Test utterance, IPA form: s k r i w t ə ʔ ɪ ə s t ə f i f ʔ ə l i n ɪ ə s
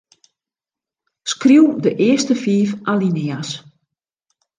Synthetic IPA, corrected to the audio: s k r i w d ə ʔ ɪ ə s t ə f iː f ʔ a l i n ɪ a s